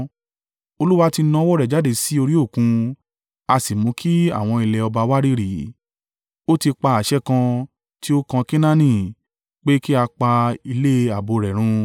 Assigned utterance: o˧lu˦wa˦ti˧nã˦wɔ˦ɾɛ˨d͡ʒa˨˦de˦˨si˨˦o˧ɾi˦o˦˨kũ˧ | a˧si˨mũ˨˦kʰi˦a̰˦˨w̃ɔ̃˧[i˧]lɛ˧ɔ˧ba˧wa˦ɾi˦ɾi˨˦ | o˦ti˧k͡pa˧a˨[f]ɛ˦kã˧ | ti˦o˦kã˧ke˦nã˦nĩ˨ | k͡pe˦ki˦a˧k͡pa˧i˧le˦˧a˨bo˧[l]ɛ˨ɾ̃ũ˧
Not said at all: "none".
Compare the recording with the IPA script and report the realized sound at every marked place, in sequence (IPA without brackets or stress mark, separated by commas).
i˧, ʃ, ɾ